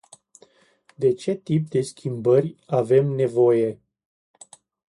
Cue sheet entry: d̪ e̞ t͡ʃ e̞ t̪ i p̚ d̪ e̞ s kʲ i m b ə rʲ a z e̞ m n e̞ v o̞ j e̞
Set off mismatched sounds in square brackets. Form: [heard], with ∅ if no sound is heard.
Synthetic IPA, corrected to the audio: d̪ e̞ t͡ʃ e̞ t̪ i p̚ d̪ e̞ s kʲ i m b ə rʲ a [v] e̞ m n e̞ v o̞ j e̞